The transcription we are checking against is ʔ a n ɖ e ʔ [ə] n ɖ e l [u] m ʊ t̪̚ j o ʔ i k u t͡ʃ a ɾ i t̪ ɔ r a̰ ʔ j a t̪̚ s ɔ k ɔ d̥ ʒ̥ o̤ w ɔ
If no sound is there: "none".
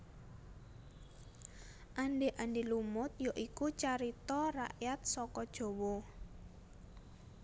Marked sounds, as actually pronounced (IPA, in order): a, u

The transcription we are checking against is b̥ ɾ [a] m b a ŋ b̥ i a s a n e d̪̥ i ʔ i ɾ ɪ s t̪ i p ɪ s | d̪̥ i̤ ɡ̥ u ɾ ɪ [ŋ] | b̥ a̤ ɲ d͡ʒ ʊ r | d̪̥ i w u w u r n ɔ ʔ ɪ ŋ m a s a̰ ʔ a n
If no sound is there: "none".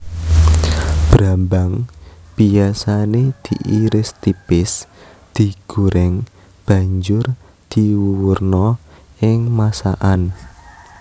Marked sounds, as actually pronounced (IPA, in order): a, ŋ

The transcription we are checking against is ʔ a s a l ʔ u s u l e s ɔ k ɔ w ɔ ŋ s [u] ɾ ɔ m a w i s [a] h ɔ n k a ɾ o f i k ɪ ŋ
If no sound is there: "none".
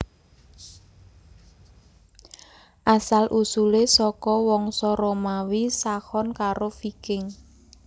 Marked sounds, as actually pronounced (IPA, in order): ɔ, a

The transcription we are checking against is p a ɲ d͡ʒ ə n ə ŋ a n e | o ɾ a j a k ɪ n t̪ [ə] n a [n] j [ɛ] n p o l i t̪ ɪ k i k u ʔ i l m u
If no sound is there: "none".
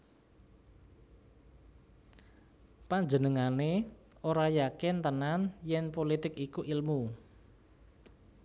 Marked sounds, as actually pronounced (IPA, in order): ə, n, ɛ

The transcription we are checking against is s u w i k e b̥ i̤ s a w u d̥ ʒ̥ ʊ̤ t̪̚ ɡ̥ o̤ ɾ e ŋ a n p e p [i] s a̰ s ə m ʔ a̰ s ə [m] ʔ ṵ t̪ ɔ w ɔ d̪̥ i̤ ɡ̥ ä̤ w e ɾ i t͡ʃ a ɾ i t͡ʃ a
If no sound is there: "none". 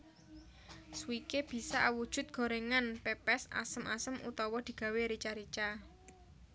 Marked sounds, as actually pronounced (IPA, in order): ɛ, m

